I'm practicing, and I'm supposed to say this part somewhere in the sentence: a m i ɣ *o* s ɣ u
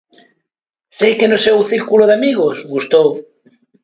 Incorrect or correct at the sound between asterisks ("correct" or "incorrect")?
correct